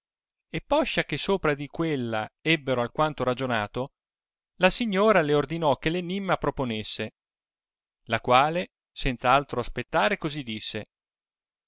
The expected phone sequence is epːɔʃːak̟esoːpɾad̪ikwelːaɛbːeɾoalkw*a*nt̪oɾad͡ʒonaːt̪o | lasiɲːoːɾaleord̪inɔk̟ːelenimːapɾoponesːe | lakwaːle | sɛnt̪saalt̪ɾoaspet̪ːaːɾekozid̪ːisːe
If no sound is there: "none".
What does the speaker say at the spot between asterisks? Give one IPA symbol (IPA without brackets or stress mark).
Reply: a